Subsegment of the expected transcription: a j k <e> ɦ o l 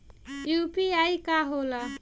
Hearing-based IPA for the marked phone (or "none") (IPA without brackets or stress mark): a